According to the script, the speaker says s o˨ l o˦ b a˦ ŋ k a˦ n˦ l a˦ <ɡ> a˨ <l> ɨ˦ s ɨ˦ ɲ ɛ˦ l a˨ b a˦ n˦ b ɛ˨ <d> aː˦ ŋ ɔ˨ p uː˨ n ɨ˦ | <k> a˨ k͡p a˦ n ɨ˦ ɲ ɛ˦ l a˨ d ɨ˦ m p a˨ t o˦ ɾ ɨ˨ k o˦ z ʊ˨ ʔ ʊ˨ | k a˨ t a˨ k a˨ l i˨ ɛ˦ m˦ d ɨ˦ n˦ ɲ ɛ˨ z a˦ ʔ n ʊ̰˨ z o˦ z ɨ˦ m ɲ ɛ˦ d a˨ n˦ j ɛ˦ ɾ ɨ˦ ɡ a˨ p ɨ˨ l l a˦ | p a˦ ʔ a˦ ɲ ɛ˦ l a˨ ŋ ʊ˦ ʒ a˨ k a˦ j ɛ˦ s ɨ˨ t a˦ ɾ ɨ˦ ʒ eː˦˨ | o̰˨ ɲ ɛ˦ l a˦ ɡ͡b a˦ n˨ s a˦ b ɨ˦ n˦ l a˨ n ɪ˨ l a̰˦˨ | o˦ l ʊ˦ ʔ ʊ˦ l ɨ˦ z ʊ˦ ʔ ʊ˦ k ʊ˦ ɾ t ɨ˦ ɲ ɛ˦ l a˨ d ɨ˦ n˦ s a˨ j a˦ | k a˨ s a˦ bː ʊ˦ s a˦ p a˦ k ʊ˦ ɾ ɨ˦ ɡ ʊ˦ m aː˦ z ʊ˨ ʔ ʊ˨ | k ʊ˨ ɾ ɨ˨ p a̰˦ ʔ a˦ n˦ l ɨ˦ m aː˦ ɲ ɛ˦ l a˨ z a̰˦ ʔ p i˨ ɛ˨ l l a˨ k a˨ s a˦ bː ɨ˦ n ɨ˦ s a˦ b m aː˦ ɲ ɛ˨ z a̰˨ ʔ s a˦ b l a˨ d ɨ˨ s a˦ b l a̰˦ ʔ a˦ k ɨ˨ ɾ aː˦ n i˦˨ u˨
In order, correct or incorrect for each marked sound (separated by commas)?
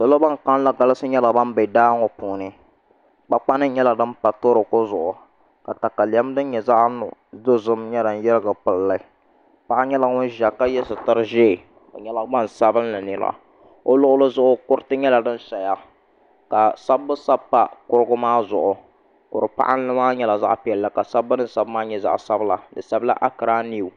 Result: correct, correct, correct, incorrect